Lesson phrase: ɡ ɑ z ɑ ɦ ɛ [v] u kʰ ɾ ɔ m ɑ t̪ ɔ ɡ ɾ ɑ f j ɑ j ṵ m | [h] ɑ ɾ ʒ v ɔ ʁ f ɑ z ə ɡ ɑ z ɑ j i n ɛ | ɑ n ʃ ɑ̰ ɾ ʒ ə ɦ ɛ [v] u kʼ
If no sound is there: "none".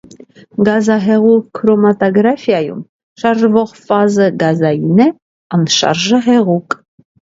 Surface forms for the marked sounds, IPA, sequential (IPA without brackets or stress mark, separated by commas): ʁ, ʃ, ʁ